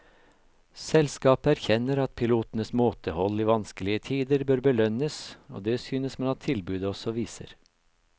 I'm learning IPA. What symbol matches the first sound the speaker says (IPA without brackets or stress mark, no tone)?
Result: s